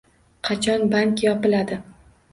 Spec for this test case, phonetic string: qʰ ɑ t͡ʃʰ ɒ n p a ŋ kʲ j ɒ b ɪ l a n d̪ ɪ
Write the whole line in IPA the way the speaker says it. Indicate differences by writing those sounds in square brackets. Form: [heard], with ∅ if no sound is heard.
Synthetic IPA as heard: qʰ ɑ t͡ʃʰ ɒ n [b] a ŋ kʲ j ɒ [p] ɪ l a [∅] d̪ ɪ